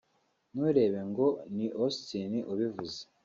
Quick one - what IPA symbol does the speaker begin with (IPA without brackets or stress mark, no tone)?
n